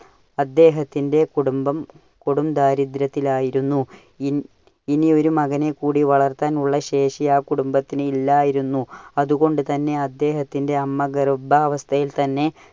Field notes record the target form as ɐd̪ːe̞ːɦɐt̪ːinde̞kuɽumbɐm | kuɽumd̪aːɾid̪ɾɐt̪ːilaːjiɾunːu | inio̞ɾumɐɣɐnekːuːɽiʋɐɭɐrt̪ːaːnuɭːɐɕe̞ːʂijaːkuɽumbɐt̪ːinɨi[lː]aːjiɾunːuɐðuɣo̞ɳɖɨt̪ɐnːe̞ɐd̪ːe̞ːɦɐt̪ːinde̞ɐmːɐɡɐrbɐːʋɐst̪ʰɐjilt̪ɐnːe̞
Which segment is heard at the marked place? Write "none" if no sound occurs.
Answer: lː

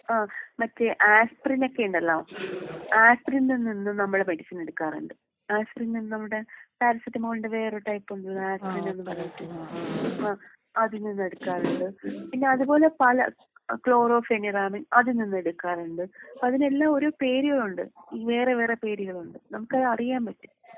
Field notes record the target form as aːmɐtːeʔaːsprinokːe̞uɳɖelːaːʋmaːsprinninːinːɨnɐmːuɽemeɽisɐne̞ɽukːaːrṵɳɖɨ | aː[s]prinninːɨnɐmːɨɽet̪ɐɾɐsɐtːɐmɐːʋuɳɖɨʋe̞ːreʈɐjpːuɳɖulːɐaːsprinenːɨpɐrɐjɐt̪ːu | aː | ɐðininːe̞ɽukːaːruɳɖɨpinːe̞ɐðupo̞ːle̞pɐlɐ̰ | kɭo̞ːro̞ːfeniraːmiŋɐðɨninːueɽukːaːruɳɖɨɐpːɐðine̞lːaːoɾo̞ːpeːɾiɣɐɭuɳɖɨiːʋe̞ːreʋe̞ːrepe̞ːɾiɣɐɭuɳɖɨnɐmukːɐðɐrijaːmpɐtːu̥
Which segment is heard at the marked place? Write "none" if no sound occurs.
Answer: s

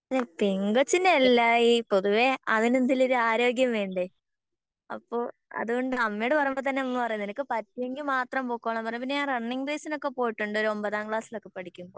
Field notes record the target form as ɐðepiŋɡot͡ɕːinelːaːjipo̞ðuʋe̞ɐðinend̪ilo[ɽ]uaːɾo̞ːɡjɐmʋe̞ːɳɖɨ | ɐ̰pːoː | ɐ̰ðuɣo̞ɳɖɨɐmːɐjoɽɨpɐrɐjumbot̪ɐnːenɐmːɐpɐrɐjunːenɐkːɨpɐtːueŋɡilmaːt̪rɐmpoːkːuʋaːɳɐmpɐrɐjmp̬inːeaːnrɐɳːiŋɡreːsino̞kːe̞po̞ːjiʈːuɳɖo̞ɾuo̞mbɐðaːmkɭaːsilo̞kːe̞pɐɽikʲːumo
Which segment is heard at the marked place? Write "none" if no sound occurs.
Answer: ɾ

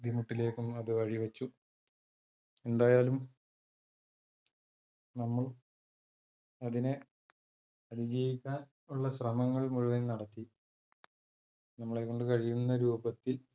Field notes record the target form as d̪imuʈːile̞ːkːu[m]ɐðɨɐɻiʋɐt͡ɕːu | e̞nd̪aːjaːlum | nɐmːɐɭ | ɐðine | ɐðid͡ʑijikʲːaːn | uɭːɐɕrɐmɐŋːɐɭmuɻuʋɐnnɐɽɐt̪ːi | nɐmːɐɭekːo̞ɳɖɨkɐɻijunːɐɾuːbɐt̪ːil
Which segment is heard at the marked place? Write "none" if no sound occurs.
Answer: m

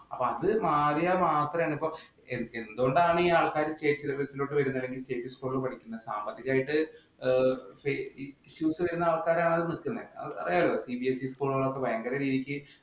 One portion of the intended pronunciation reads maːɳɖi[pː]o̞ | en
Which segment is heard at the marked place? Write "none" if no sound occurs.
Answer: pː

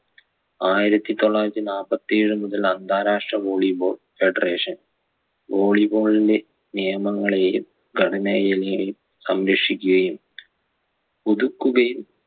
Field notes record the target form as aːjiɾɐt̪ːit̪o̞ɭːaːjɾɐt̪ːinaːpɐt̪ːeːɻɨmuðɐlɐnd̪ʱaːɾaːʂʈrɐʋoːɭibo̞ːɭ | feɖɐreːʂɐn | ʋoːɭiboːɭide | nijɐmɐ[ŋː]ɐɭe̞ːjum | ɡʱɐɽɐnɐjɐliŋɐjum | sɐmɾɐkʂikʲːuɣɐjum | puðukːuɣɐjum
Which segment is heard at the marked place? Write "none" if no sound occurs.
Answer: ŋː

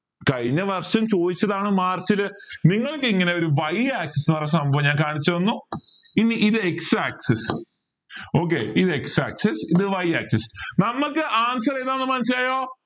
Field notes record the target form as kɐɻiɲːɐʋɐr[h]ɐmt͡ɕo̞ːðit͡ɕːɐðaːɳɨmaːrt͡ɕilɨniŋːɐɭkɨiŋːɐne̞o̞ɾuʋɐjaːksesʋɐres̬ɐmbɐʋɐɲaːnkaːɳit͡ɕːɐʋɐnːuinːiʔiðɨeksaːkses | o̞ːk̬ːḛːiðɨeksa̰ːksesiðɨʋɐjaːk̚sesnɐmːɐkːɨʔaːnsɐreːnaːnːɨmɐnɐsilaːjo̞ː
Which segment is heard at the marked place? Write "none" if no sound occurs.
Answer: ʂ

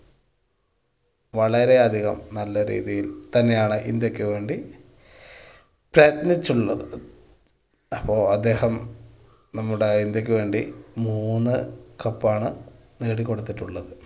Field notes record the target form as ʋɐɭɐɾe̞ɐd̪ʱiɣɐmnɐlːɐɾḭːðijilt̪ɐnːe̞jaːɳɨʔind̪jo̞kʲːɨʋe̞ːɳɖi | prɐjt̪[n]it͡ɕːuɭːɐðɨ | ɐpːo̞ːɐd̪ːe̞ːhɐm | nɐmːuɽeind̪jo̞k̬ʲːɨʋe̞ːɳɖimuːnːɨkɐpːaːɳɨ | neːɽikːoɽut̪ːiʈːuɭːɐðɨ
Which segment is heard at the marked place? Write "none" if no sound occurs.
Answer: n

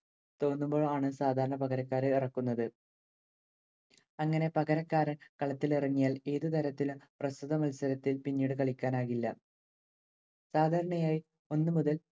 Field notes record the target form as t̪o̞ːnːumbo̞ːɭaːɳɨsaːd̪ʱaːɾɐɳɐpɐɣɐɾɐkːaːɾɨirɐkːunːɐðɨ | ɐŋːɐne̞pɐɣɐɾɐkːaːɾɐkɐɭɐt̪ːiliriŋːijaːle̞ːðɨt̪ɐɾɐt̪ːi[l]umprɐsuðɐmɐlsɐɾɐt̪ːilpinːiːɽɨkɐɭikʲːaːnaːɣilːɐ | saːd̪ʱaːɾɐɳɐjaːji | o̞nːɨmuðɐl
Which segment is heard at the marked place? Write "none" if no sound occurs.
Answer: l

